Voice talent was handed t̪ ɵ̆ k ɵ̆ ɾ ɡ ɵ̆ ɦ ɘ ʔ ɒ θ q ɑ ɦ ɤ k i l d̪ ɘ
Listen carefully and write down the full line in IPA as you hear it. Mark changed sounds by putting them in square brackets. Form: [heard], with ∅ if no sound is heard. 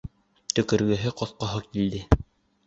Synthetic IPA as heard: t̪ ɵ̆ k ɵ̆ ɾ ɡ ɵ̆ ɦ ɘ [q] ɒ θ q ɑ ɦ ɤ k i l d̪ ɘ

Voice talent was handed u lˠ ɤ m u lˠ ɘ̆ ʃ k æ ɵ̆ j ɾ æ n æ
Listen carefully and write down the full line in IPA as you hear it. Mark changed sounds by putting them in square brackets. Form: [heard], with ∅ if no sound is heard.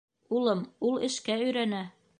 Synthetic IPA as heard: u lˠ ɤ m u lˠ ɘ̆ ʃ k æ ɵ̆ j ɾ æ n æ

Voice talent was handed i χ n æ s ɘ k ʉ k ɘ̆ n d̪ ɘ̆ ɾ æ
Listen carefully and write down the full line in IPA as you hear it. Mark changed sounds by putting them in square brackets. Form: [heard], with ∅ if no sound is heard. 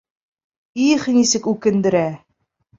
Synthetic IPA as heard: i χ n [i] s ɘ k ʉ k ɘ̆ n d̪ ɘ̆ ɾ æ

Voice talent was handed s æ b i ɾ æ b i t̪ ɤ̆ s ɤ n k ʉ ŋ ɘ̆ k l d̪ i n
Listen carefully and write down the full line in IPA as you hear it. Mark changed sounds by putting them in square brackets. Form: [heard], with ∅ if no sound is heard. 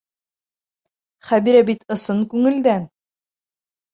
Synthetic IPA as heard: [χ] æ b i ɾ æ b i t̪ ɤ̆ s ɤ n k ʉ ŋ ɘ̆ [∅] l d̪ [æ] n

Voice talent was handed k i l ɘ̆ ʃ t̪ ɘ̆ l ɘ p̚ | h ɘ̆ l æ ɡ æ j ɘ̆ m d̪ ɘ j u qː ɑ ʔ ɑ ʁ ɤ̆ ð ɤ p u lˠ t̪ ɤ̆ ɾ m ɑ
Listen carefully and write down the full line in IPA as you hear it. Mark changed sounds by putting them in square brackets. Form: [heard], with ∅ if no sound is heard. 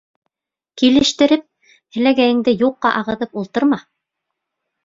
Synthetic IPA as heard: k i l ɘ̆ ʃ t̪ ɘ̆ [ɾ] ɘ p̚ | h ɘ̆ l æ ɡ æ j ɘ̆ [ŋ] d̪ ɘ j u qː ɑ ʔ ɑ ʁ ɤ̆ ð ɤ p u lˠ t̪ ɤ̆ ɾ m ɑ

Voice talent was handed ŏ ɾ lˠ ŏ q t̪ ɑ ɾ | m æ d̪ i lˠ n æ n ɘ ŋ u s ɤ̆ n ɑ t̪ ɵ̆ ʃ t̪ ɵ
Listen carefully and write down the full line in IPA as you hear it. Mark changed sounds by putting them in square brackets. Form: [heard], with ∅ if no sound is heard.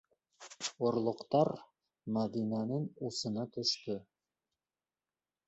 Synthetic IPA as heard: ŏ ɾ lˠ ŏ q t̪ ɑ ɾ | m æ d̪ i [∅] n æ n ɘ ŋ u s ɤ̆ n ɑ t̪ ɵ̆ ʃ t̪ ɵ

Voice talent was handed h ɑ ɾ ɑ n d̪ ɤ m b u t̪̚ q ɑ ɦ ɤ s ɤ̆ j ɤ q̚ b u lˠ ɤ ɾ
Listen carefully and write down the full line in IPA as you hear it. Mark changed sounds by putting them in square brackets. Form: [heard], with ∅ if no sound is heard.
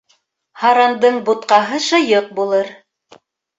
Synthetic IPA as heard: h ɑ ɾ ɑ n d̪ ɤ [ɴ] b u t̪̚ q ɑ ɦ ɤ [ʃ] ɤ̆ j ɤ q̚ b u lˠ ɤ ɾ

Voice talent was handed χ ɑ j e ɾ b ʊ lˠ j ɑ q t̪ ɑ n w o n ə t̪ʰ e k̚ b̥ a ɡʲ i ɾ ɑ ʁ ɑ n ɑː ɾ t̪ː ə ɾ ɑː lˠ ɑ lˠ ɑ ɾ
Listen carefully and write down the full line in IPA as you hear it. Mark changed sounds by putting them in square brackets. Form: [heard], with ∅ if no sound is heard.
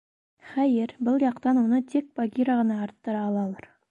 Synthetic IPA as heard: χ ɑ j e ɾ b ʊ lˠ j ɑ q t̪ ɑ n w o n ə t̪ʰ e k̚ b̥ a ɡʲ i ɾ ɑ ʁ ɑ n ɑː ɾ t̪ː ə ɾ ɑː lˠ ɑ lˠ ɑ ɾ

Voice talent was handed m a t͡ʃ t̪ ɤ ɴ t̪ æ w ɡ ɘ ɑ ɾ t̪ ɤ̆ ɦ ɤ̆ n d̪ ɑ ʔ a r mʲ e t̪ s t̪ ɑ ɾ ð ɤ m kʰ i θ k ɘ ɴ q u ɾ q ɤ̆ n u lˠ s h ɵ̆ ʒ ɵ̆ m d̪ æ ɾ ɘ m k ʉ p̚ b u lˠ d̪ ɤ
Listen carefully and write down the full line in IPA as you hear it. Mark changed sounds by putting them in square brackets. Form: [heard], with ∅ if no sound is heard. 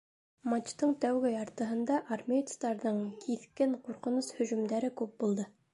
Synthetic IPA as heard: m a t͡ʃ t̪ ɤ ɴ t̪ æ w ɡ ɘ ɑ ɾ t̪ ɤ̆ ɦ ɤ̆ n d̪ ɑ ʔ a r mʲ e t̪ s t̪ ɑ ɾ ð ɤ [ɴ] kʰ i θ k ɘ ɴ q u ɾ q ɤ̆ n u [∅] s h ɵ̆ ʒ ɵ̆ m d̪ æ ɾ ɘ [∅] k ʉ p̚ b u lˠ d̪ ɤ

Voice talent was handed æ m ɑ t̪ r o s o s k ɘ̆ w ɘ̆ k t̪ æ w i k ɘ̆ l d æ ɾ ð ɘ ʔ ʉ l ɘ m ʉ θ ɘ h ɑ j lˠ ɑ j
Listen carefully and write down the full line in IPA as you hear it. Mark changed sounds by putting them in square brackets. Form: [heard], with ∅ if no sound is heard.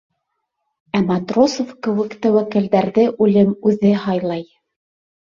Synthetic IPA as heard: æ m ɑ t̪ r o s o [f] k ɘ̆ w ɘ̆ k t̪ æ w [æ] k ɘ̆ l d æ ɾ ð ɘ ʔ ʉ l ɘ m ʉ [ð] ɘ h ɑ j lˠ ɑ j

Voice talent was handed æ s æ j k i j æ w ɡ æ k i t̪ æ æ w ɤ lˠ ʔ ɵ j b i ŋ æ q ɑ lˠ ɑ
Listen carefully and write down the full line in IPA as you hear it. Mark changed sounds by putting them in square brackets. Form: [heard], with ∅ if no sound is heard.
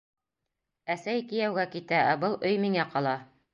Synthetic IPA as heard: æ s æ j k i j æ w ɡ æ k i t̪ æ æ [b] ɤ lˠ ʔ ɵ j [m] i ŋ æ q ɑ lˠ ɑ

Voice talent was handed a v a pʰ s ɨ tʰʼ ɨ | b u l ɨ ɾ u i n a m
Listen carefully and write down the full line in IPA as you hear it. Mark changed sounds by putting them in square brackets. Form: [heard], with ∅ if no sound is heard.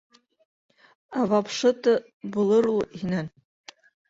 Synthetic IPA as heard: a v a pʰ [ʂ] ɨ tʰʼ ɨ | b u l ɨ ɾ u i n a [n]

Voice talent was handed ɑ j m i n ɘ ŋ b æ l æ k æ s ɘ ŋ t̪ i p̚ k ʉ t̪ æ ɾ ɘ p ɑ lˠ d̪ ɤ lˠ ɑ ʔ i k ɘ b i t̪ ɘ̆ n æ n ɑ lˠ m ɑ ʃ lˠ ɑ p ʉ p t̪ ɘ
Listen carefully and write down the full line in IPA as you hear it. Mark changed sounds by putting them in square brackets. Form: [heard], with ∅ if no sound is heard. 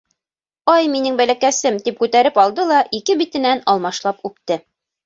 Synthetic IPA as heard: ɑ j m i n ɘ ŋ b æ l æ k æ s ɘ [m] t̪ i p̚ k ʉ t̪ æ ɾ ɘ p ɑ lˠ d̪ ɤ lˠ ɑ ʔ i k ɘ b i t̪ ɘ̆ n æ n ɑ lˠ m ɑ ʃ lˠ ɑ p ʉ p t̪ ɘ

